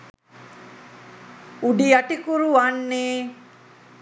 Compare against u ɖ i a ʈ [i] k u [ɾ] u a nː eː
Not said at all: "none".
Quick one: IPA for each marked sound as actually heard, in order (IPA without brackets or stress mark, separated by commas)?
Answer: i, ɾ